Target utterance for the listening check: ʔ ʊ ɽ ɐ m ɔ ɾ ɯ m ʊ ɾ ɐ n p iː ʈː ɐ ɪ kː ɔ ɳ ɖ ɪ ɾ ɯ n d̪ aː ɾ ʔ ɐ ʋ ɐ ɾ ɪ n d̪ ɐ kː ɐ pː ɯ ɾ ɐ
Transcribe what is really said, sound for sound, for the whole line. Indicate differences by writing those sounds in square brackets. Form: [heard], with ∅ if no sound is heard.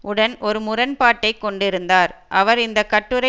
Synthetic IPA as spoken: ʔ ʊ ɽ ɐ [n] ɔ ɾ ɯ m ʊ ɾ ɐ n p [aː] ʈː ɐ ɪ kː ɔ ɳ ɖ ɪ ɾ ɯ n d̪ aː ɾ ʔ ɐ ʋ ɐ ɾ ɪ n d̪ ɐ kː ɐ [ʈː] ɯ ɾ ɐ